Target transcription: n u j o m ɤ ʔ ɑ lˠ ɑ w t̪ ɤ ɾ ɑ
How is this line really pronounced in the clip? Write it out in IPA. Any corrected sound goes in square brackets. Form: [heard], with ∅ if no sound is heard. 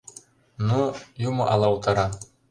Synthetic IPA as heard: n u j [u] m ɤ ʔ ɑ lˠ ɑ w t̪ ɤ ɾ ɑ